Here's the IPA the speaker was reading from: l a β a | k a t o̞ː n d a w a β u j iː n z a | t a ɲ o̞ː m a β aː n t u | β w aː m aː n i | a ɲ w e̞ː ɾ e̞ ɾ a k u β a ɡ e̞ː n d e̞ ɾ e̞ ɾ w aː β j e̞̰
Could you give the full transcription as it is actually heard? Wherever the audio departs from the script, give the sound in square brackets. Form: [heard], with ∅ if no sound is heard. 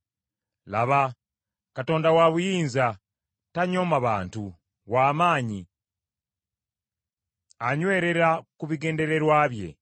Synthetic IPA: l a β a | k a t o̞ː n d a w a β u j iː n z a | t a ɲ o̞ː m a β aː n t u | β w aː m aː [ɲ] i | a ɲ w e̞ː ɾ e̞ ɾ a k u β [i] ɡ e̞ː n d e̞ ɾ e̞ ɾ w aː β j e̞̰